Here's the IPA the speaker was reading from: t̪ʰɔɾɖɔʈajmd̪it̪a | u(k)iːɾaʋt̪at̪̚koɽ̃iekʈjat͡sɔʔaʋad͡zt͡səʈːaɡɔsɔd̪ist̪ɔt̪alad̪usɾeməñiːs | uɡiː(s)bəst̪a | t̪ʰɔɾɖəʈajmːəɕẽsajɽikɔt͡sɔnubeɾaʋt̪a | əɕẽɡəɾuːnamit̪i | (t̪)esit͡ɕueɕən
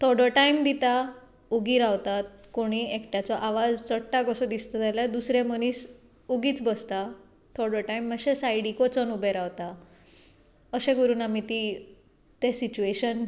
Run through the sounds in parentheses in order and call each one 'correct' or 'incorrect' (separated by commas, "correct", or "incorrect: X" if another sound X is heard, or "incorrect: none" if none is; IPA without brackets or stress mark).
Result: incorrect: ɡ, incorrect: t͡s, correct